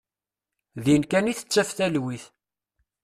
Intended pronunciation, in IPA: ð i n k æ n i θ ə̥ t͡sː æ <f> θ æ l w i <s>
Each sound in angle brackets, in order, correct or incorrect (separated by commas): correct, incorrect